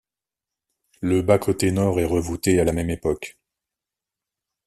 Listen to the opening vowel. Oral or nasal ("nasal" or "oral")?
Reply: oral